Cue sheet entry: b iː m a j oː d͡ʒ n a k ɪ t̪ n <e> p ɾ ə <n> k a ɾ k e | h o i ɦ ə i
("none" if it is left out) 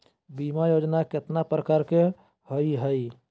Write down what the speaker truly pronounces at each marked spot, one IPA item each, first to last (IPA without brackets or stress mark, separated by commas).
a, none